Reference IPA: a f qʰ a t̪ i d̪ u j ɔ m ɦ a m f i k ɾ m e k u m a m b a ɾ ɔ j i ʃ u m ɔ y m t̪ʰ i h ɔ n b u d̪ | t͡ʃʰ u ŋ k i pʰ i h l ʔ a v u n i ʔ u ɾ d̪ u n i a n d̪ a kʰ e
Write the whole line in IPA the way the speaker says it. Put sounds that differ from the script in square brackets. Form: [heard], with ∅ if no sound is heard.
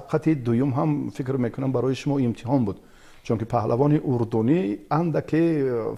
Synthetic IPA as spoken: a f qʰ a t̪ i d̪ u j [u] m ɦ a m f i k ɾ m e k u [n] a m b a ɾ ɔ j i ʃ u m ɔ [i] m t̪ʰ i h ɔ n b u d̪ | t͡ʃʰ u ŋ k i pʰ [a] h l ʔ a v [ɔ] n i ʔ u ɾ d̪ u n i a n d̪ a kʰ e

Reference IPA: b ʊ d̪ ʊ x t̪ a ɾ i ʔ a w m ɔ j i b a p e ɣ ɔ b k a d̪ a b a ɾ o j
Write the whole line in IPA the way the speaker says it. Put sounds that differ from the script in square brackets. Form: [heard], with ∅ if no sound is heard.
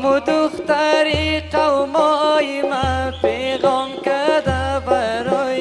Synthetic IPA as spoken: [m] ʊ d̪ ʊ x t̪ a ɾ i [q] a w m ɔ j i [m] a p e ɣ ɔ [m] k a d̪ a b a ɾ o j

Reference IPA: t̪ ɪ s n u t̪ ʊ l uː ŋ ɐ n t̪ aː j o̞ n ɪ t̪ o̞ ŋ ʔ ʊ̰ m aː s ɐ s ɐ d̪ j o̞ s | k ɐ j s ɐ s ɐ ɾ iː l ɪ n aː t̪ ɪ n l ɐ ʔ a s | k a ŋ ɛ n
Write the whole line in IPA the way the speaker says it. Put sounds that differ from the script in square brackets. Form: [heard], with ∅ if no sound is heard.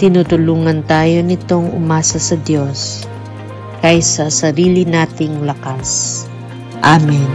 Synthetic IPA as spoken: t̪ ɪ [∅] n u t̪ ʊ l uː ŋ ɐ n t̪ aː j o̞ n ɪ t̪ o̞ ŋ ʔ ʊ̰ m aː s ɐ s ɐ d̪ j o̞ s | k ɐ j s ɐ s ɐ ɾ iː l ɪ n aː t̪ ɪ [ŋ] l ɐ [k] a s | [ʔ] a [m] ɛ n

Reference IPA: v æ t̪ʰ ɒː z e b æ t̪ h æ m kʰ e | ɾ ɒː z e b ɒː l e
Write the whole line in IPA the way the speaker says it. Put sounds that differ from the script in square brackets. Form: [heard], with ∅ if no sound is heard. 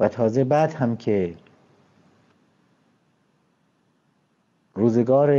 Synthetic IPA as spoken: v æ t̪ʰ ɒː z e b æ [d̪] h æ m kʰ e | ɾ [uː] z e [ɡ] ɒː [ɾ] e

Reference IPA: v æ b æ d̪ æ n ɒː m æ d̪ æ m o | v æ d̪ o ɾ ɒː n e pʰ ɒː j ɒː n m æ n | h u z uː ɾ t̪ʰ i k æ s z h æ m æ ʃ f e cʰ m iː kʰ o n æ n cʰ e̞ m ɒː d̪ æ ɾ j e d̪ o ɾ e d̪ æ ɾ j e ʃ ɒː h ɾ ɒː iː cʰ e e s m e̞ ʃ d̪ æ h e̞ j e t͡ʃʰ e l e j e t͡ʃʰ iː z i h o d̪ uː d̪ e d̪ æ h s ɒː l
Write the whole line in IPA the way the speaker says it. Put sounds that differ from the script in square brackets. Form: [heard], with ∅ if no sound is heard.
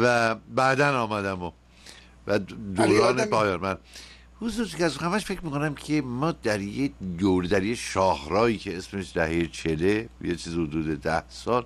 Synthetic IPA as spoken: v æ b æ d̪ æ n ɒː m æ d̪ æ m o | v æ d̪ o ɾ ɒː n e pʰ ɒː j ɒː n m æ n | h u z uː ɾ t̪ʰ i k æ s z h æ m æ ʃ f e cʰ m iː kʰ o n æ [m] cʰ e̞ m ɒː d̪ æ ɾ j e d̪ o ɾ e d̪ æ ɾ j e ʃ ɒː h ɾ ɒː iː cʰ e e s m e̞ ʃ d̪ æ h e̞ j e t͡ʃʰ e l e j e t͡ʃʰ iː z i h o d̪ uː d̪ e d̪ æ h s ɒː l

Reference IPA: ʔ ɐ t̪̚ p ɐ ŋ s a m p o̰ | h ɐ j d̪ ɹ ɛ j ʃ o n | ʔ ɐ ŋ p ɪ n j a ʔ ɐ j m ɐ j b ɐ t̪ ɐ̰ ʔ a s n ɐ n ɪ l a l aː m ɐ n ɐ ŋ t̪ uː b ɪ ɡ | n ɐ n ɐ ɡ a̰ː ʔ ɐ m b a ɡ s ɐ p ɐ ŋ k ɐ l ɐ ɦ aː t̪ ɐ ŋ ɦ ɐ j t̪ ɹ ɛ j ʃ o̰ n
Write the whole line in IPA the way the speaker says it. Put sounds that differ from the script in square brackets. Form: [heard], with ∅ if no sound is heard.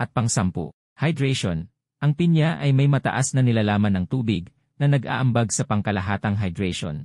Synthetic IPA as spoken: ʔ ɐ t̪̚ p ɐ ŋ s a m p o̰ | h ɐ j d̪ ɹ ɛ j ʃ o n | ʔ ɐ ŋ p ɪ n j a ʔ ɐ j m ɐ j [m] ɐ t̪ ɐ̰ ʔ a s n ɐ n ɪ l a l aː m ɐ n ɐ ŋ t̪ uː b ɪ ɡ | n ɐ n ɐ ɡ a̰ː ʔ ɐ m b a ɡ s ɐ p ɐ ŋ k ɐ l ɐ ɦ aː t̪ ɐ ŋ ɦ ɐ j [d̪] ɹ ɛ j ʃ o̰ n

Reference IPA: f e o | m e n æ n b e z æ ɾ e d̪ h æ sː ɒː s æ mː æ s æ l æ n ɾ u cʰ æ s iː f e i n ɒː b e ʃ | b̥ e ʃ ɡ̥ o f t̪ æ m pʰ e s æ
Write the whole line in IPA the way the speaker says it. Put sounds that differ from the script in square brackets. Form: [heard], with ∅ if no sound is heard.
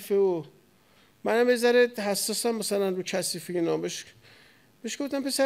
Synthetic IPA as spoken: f e o | m [æ] n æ [m] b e z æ ɾ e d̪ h æ sː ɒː s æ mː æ s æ l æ n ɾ u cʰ æ s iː f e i n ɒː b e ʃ | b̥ e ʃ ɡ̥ o f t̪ æ m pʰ e s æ

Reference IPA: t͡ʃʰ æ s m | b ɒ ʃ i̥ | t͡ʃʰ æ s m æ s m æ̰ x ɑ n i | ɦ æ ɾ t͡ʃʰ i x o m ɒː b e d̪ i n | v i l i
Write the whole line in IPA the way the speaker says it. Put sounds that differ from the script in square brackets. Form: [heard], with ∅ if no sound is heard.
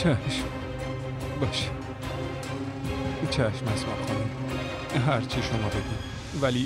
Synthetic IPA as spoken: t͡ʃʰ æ [ʃ] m | b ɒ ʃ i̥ | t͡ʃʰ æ [ʃ] m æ s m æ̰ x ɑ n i | ɦ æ ɾ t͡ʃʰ i [ʃ] o m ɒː b e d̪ i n | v [æ] l i

